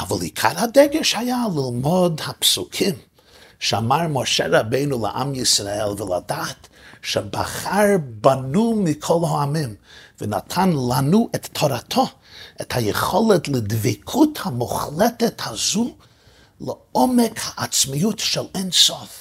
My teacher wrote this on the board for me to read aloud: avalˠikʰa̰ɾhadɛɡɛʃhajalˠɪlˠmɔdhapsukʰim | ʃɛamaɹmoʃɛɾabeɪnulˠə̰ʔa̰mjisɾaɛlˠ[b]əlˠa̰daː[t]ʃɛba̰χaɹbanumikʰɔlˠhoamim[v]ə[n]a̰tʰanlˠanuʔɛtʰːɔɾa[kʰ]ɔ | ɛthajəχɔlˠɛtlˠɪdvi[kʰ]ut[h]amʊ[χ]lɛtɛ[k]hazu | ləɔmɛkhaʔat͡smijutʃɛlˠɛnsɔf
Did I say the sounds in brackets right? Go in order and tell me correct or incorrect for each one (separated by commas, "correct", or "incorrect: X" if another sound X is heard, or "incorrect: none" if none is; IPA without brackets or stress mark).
incorrect: v, correct, correct, correct, incorrect: tʰ, correct, correct, correct, incorrect: t